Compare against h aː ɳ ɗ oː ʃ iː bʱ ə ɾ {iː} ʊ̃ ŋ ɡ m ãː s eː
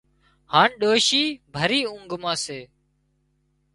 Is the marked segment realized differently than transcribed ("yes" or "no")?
no